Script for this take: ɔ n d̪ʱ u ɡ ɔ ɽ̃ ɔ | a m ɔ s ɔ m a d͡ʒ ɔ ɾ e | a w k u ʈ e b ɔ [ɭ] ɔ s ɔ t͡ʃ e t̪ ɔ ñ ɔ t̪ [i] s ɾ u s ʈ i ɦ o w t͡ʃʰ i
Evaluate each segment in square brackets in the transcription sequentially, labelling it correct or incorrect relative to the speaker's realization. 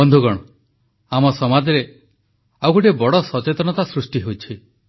incorrect: ɽ, incorrect: a

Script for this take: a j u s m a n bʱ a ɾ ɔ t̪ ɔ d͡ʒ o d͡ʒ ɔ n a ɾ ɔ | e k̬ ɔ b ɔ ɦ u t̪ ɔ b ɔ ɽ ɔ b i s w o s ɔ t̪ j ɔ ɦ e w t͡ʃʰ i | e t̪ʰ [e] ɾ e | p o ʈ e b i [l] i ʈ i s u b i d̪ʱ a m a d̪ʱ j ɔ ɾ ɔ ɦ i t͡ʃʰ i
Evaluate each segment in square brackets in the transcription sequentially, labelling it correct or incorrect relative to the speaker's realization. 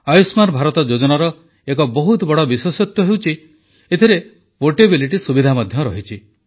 incorrect: i, correct

